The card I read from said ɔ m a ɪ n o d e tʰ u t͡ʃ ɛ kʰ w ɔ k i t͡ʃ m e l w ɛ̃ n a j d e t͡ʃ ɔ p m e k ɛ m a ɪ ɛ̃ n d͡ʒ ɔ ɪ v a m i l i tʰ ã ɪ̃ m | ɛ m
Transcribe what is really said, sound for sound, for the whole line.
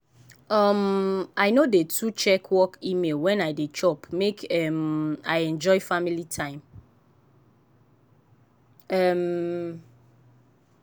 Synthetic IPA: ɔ m a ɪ n o d e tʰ u t͡ʃ ɛ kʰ w ɔ k i m e l w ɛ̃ n a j d e t͡ʃ ɔ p m e k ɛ m a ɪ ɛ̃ n d͡ʒ ɔ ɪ f a m i l i tʰ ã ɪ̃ m | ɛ m